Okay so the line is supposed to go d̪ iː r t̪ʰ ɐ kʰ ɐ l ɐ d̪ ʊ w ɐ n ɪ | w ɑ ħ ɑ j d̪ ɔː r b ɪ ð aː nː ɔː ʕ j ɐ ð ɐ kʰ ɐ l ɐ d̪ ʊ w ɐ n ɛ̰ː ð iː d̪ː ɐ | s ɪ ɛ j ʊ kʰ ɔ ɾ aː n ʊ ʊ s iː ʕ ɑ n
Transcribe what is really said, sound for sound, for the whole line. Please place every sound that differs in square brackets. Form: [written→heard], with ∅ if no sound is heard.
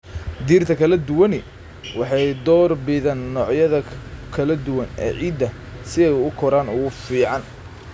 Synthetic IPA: d̪ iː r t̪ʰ ɐ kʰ ɐ l ɐ d̪ ʊ w ɐ n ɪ | w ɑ ħ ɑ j d̪ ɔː r b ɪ ð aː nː ɔː ʕ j ɐ ð ɐ kʰ ɐ l ɐ d̪ ʊ w ɐ n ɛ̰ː [ð→ʕ] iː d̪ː ɐ | s ɪ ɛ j ʊ kʰ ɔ ɾ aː n ʊ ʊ [s→f] iː ʕ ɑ n